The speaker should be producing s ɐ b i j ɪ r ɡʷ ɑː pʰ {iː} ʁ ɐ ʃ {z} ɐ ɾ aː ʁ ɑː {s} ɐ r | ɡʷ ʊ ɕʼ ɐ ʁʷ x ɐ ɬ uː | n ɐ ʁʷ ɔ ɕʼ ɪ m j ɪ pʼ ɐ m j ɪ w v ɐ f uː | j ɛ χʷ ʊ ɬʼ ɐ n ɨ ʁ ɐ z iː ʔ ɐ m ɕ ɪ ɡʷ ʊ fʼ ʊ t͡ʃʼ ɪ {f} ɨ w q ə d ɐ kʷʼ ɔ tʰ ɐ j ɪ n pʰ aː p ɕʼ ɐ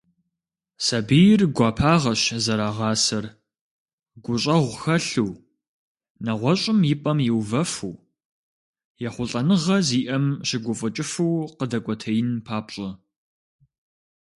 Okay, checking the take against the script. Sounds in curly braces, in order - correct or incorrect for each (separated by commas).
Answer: incorrect, correct, correct, correct